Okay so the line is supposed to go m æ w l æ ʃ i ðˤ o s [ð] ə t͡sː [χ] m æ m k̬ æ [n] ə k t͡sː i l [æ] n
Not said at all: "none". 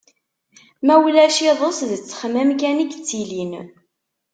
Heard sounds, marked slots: ð, χ, n, i

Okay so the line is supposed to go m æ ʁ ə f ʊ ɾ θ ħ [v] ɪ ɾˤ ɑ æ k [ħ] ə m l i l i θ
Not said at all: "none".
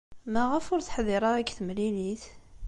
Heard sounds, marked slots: ð, θ

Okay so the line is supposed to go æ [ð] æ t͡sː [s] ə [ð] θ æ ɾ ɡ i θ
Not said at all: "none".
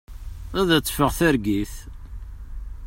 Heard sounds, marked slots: ð, f, ʁ

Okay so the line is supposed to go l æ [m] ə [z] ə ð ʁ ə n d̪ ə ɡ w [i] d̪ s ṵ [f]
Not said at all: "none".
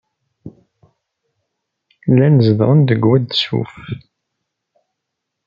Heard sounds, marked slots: n, z, æ, f

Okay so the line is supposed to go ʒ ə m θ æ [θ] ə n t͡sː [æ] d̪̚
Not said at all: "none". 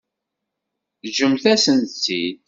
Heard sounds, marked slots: s, i

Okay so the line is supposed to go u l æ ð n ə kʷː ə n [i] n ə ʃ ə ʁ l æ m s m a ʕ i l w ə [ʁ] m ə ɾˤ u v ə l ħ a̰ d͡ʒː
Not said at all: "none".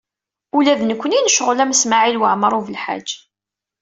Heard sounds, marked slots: i, ʕ

